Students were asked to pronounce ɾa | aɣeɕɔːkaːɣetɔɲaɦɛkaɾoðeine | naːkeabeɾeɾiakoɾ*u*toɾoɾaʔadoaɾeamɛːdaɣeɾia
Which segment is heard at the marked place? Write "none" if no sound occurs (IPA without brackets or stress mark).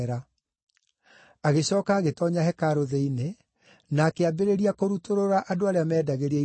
u